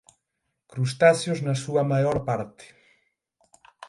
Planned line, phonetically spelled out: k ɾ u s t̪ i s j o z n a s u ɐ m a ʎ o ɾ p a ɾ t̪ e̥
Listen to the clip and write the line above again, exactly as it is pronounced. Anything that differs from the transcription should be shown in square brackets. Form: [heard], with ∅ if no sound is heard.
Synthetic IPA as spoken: k ɾ u s t̪ [a] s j o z n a s u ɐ m a [j] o ɾ p a ɾ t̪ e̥